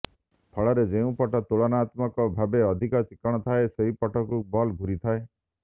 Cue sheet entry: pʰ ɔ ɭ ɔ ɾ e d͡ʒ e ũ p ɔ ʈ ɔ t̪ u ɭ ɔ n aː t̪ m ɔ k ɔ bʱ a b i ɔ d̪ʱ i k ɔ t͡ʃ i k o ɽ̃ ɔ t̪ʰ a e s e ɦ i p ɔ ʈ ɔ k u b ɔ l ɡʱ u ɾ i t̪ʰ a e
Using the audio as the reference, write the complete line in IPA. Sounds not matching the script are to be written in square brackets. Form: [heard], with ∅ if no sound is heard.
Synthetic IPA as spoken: pʰ ɔ ɭ ɔ ɾ e d͡ʒ e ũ p ɔ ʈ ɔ t̪ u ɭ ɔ n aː t̪ m ɔ k ɔ bʱ a b [e] ɔ d̪ʱ i k ɔ t͡ʃ i k [ɔ] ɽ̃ ɔ t̪ʰ a e s e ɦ i p ɔ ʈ ɔ k u b ɔ l ɡʱ u ɾ i t̪ʰ a e

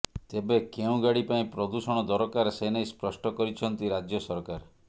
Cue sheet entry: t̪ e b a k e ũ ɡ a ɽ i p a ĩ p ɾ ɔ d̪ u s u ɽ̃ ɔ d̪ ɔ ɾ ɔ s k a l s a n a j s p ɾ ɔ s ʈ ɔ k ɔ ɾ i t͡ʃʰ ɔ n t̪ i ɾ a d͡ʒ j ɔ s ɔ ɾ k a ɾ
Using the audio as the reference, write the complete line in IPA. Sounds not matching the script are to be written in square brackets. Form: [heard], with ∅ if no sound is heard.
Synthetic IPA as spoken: t̪ e b [e] k e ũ ɡ a ɽ i p a ĩ p ɾ ɔ d̪ u s [ɔ] ɽ̃ ɔ d̪ ɔ ɾ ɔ [∅] k a [ɾ] s [e] n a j s p ɾ ɔ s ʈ ɔ k ɔ ɾ i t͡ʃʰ ɔ n t̪ i ɾ a d͡ʒ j ɔ s ɔ ɾ k a ɾ

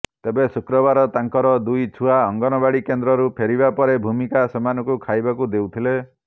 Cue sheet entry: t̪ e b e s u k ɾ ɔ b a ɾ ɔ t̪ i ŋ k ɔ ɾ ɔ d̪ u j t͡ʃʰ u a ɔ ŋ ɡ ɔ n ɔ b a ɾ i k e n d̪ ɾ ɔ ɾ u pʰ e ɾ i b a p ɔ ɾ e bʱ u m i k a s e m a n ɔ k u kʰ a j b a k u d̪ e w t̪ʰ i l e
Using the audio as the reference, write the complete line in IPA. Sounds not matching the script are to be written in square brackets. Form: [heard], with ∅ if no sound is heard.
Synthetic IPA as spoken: t̪ e b e s u k ɾ ɔ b a ɾ ɔ t̪ [a] ŋ k ɔ ɾ ɔ d̪ u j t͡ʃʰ u a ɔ ŋ ɡ ɔ n ɔ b a [ɽ] i k e n d̪ ɾ ɔ ɾ u pʰ e ɾ i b a p ɔ ɾ e bʱ u m i k a s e m a n ɔ k u kʰ a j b a k u d̪ e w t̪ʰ i l e

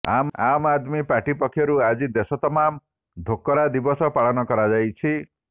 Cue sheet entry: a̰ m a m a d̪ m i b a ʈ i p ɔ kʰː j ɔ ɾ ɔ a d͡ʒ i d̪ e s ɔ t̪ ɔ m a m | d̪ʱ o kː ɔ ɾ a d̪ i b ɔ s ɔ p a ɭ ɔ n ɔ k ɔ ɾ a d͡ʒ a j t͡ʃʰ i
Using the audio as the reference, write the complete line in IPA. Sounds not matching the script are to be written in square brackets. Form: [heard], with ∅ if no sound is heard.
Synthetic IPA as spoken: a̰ m a m a d̪ m i [p] a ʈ i p ɔ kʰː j ɔ ɾ [u] a d͡ʒ i d̪ e s ɔ t̪ ɔ m a m | d̪ʱ o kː ɔ ɾ a d̪ i b ɔ s ɔ p a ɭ ɔ n ɔ k ɔ ɾ a d͡ʒ a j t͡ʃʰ i

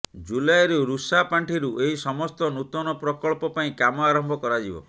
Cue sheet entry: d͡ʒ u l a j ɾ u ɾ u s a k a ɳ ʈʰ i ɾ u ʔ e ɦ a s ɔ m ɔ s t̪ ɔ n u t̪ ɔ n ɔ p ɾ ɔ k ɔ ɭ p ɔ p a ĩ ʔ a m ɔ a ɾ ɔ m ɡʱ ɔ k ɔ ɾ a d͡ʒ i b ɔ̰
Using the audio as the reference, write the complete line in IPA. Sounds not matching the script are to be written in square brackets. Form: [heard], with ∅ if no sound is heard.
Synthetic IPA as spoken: d͡ʒ u l a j ɾ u ɾ u s a [p] a ɳ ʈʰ i ɾ u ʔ e ɦ [i] s ɔ m ɔ s t̪ ɔ n u t̪ ɔ n ɔ p ɾ ɔ k ɔ ɭ p ɔ p a ĩ [k] a m ɔ a ɾ ɔ m [bʱ] ɔ k ɔ ɾ a d͡ʒ i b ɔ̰

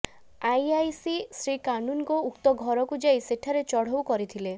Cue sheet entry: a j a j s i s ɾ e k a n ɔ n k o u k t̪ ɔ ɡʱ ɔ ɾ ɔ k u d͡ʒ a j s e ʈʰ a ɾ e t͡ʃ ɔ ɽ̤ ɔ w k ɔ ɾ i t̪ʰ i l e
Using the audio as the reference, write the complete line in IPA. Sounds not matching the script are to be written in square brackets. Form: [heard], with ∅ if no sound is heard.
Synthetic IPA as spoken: a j a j s i s ɾ [i] k a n [u] n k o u k t̪ ɔ ɡʱ ɔ ɾ ɔ k u d͡ʒ a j s e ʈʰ a ɾ e t͡ʃ ɔ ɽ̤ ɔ w k ɔ ɾ i t̪ʰ i l e

